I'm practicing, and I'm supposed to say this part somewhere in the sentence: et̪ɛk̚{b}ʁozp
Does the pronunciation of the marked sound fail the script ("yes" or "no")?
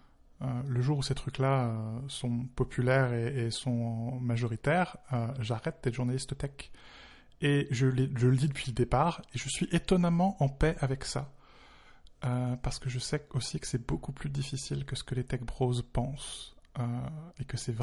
no